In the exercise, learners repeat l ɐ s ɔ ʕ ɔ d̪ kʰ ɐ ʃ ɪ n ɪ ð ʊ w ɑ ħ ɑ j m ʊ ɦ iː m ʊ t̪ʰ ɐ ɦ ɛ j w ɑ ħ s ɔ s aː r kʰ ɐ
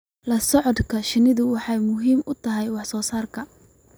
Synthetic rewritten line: l ɐ s ɔ ʕ ɔ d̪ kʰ ɐ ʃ ɪ n ɪ ð ʊ w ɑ ħ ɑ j m ʊ ɦ iː m ʊ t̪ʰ ɐ ɦ ɛ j w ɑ ħ s ɔː s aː r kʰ ɐ